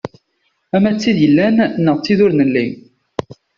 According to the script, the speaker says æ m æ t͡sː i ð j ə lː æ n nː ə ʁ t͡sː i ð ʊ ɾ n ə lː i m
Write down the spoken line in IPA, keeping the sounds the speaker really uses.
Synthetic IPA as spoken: æ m æ t͡sː i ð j ə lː æ n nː ə ʁ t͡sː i ð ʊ ɾ n ə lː i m